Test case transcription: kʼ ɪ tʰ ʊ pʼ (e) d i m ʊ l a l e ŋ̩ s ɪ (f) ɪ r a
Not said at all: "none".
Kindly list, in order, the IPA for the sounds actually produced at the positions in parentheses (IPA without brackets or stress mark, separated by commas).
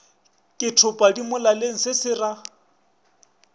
a, s